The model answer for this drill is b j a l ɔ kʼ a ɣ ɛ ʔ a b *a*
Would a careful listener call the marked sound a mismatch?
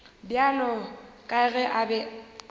yes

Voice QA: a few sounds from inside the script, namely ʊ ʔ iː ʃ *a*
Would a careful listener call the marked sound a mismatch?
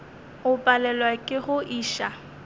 no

